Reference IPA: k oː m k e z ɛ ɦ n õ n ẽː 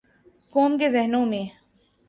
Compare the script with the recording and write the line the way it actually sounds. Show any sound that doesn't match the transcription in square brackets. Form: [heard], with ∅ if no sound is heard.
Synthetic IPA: k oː m k e z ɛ ɦ n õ [m] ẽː